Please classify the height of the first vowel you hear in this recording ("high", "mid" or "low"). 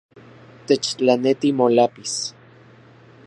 mid